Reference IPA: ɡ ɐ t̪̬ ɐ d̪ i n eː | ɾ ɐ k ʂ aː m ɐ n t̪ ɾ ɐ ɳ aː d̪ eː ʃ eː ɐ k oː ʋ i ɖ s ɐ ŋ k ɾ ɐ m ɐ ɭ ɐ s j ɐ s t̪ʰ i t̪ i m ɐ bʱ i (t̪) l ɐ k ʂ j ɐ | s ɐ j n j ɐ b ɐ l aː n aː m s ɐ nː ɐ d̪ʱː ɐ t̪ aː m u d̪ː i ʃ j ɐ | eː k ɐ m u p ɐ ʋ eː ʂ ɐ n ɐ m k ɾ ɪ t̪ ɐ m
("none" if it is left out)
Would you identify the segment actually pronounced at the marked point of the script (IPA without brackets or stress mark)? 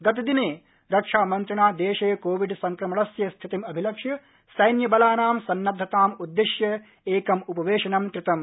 none